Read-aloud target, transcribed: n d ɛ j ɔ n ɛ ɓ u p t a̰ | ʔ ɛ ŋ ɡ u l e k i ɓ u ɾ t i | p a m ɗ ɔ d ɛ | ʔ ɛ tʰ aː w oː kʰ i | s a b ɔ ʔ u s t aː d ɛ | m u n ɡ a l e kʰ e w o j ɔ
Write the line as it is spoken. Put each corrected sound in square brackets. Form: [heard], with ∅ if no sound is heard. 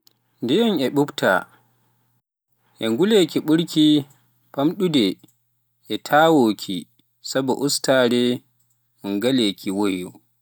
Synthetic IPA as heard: n d ɛ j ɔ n ɛ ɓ u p t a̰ | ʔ ɛ ŋ ɡ u l e k i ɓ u ɾ [k] i | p a m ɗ [u] d ɛ | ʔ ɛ tʰ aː w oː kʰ i | s a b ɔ ʔ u s t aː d ɛ | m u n ɡ a l e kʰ [i] w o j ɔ